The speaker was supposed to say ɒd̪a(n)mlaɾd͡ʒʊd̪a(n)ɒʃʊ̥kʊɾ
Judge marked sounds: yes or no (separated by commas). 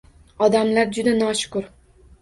no, yes